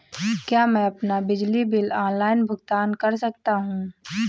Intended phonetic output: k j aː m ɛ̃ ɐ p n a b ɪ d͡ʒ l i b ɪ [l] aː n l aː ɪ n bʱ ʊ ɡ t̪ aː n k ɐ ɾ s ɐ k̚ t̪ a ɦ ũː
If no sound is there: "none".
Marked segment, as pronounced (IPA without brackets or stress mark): l